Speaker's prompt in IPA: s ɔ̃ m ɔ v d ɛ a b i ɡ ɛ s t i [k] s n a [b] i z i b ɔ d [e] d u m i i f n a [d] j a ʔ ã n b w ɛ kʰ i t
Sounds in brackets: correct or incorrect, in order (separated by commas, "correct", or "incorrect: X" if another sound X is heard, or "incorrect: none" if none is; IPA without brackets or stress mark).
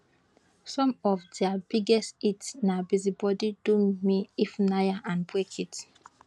incorrect: t, correct, incorrect: i, incorrect: none